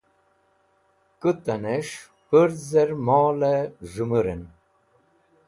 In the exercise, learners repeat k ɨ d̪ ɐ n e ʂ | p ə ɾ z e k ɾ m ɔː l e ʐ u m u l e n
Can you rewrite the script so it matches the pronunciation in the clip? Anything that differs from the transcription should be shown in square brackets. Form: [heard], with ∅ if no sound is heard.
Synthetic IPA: k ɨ [t̪] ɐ n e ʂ | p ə ɾ z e [∅] ɾ m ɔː l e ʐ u m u [ɾ] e n